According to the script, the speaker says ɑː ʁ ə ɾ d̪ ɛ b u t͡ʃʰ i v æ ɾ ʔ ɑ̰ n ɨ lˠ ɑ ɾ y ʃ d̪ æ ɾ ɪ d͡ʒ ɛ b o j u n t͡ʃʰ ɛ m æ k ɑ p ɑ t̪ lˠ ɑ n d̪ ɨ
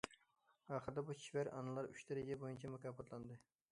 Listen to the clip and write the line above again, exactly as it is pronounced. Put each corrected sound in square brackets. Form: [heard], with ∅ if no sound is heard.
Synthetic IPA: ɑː [χ] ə ɾ d̪ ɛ b u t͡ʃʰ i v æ ɾ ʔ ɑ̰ n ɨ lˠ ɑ ɾ y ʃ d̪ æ ɾ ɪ d͡ʒ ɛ b o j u n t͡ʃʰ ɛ m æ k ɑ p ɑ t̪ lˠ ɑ n d̪ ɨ